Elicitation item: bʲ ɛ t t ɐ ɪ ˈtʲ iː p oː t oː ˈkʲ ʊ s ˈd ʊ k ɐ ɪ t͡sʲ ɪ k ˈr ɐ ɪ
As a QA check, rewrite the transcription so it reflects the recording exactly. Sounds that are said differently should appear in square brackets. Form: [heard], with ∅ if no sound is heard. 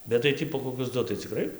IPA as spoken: bʲ ɛ t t ɐ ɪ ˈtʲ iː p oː [k] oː ˈkʲ ʊ s ˈd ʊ [t] ɐ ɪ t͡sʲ ɪ k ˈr ɐ ɪ

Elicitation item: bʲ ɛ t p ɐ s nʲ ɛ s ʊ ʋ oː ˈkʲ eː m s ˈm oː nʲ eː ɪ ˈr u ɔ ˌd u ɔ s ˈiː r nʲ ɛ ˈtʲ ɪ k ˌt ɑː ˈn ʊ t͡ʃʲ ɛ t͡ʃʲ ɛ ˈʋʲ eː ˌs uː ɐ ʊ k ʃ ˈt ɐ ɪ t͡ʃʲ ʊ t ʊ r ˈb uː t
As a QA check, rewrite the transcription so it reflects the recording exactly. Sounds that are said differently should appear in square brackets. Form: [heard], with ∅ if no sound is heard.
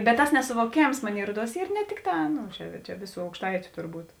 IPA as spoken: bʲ ɛ t [t] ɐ s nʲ ɛ s ʊ ʋ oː ˈkʲ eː m s ˈm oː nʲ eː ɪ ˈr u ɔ ˌd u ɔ s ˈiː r nʲ ɛ ˈtʲ ɪ k ˌt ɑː ˈn ʊ t͡ʃʲ ɛ t͡ʃʲ ɛ ˈʋʲ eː ˌs uː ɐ ʊ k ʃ ˈt ɐ ɪ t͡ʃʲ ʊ t ʊ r ˈb uː t

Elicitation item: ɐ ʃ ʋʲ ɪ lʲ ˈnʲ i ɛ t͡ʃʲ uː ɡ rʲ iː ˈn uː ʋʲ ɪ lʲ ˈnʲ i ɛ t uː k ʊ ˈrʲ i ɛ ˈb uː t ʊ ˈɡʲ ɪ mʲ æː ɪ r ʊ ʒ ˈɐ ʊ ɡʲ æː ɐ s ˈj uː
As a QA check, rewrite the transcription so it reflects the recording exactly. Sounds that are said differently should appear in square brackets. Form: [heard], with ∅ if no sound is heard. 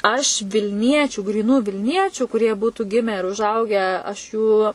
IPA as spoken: ɐ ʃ ʋʲ ɪ lʲ ˈnʲ i ɛ t͡ʃʲ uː ɡ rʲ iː ˈn uː ʋʲ ɪ lʲ ˈnʲ i ɛ [t͡ʃʲ] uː k ʊ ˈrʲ i ɛ ˈb uː t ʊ ˈɡʲ ɪ mʲ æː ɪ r ʊ ʒ ˈɐ ʊ ɡʲ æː ɐ [ʃ] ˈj uː

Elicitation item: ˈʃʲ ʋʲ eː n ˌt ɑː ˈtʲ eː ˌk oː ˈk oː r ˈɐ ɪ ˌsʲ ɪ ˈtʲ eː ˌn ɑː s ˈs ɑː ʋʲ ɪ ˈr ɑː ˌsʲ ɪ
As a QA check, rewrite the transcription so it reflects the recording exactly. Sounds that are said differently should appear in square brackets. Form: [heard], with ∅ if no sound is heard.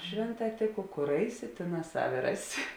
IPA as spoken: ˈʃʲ ʋʲ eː n ˌt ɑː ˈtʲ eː ˌk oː ˈk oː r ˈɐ ɪ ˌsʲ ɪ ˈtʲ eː ˌn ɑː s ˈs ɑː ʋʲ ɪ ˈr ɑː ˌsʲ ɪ

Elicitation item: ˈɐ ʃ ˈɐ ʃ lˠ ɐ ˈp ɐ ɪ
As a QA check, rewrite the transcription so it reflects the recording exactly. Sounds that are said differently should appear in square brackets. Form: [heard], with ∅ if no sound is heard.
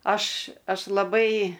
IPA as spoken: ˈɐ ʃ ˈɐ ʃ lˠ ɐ [ˈb] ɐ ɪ

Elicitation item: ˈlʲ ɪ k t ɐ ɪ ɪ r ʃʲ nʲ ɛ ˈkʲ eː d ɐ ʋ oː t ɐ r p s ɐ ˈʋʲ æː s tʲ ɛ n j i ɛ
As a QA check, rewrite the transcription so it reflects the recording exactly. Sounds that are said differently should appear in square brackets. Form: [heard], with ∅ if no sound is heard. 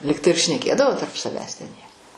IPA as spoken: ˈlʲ ɪ k t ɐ ɪ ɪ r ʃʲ nʲ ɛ ˈkʲ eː d ɐ ʋ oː t ɐ r p s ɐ ˈʋʲ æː s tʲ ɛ n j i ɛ

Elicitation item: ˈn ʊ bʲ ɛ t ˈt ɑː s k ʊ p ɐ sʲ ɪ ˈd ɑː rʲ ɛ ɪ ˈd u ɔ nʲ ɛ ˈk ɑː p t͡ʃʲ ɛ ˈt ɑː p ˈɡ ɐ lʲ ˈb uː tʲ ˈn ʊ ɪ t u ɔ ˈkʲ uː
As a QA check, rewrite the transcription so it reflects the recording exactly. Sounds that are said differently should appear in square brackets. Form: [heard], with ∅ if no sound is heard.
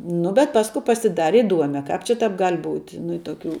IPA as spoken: ˈn ʊ bʲ ɛ t [ˈp] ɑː s k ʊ p ɐ sʲ ɪ ˈd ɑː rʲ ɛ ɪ ˈd u ɔ [mʲ] ɛ ˈk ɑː p t͡ʃʲ ɛ ˈt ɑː p ˈɡ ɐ lʲ ˈb uː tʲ ˈn ʊ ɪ t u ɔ ˈkʲ uː

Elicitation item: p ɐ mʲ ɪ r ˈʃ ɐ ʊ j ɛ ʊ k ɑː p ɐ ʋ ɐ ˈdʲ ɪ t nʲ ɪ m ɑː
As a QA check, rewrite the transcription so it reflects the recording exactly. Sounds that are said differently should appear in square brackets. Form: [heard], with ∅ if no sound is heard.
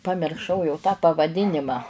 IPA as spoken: p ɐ mʲ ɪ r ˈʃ ɐ ʊ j ɛ ʊ [t] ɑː p ɐ ʋ ɐ ˈdʲ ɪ [∅] nʲ ɪ m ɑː

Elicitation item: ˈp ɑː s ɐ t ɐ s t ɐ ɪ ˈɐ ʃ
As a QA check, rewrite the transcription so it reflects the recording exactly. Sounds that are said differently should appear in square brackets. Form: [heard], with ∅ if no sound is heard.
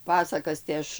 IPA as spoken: ˈp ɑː s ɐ [k] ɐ s t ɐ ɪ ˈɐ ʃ

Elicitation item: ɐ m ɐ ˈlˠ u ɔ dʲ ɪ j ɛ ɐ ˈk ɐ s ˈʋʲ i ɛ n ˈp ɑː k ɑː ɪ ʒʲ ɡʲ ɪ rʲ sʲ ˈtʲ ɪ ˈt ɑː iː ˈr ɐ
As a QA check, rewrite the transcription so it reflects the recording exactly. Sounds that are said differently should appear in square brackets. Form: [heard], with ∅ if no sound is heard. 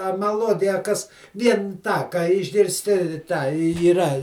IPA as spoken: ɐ m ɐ ˈlˠ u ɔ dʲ ɪ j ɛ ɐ ˈk ɐ s ˈʋʲ i ɛ n [ˈt] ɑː k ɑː ɪ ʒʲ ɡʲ ɪ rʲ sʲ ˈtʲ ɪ ˈt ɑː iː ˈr ɐ

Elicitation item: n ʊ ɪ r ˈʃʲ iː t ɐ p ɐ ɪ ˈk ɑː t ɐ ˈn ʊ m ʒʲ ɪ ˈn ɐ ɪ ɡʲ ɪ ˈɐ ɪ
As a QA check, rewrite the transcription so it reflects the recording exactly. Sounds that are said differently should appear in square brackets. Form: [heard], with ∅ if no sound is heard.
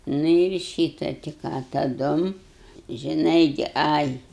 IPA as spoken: n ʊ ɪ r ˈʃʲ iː t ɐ [t] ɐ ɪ ˈk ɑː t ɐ [ˈd] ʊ m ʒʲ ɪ ˈn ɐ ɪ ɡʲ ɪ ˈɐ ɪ

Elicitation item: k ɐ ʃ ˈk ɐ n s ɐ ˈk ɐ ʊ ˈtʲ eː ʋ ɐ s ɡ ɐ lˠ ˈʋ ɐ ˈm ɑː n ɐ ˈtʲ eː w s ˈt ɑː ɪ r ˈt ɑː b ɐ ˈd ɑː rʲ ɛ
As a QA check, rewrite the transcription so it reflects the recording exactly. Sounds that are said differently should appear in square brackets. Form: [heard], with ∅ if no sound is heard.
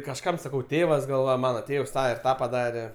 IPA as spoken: k ɐ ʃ ˈk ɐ [m] s ɐ ˈk ɐ ʊ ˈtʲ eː ʋ ɐ s ɡ ɐ lˠ ˈʋ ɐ ˈm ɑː n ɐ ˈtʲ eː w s ˈt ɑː ɪ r ˈt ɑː [p] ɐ ˈd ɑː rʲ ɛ

